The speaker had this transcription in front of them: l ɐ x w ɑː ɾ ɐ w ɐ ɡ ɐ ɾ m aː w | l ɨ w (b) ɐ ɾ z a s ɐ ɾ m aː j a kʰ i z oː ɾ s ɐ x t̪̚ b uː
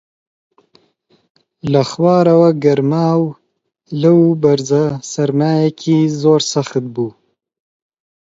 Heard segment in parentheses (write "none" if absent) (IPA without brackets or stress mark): b